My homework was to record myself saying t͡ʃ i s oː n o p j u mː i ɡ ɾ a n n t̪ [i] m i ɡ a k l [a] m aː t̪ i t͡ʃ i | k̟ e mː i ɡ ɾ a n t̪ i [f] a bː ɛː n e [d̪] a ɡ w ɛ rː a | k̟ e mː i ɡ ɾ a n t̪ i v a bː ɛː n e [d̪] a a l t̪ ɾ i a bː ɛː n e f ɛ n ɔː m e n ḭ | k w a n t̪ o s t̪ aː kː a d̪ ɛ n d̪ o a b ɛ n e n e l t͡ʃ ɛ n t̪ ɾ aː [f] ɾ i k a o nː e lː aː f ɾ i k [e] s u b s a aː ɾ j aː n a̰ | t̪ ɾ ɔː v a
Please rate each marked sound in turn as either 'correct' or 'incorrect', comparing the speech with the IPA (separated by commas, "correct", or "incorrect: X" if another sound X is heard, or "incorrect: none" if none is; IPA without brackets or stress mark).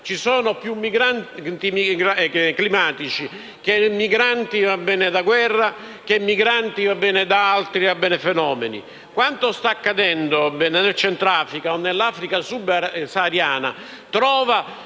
correct, incorrect: i, incorrect: v, correct, correct, correct, incorrect: a